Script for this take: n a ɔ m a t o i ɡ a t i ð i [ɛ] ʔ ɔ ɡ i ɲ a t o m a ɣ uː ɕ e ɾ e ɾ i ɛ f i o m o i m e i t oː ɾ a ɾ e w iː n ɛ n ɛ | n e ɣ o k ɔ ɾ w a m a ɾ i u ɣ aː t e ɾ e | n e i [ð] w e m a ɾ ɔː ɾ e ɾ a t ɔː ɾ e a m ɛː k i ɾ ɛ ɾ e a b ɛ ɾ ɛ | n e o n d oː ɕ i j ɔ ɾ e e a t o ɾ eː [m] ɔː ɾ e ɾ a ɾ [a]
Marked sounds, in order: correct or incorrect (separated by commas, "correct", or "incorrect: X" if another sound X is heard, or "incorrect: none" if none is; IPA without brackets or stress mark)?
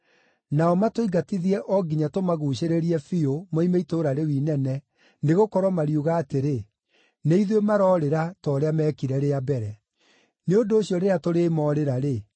correct, correct, correct, incorrect: e